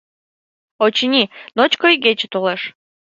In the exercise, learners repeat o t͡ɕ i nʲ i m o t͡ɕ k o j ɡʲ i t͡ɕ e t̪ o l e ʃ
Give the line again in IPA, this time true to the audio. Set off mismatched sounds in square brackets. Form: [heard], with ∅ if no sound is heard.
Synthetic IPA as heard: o t͡ɕ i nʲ i [n] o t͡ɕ k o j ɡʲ [e] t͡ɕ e t̪ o l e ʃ